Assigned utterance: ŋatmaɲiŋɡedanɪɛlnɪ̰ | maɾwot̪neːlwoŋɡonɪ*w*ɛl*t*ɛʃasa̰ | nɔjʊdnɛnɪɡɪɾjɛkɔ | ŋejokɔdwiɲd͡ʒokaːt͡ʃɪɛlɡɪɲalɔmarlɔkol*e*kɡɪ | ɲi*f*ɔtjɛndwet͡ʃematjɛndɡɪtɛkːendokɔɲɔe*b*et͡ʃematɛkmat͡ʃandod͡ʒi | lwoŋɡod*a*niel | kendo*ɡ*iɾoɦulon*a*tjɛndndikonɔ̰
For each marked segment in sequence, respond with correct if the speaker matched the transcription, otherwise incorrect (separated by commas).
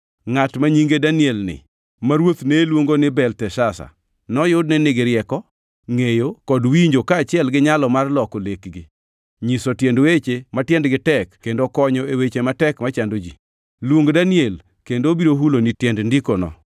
incorrect, correct, correct, incorrect, incorrect, correct, incorrect, incorrect